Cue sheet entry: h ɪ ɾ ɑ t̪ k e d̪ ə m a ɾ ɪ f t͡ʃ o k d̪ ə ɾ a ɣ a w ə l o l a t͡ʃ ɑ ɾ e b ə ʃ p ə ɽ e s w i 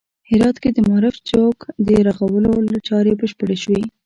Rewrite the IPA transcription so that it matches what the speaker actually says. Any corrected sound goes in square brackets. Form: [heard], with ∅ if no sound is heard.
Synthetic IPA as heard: h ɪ ɾ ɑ t̪ k e d̪ ə m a ɾ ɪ f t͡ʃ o k d̪ ə ɾ a ɣ a w ə l o l a t͡ʃ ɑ ɾ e b ə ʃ p ə ɽ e [ʃ] w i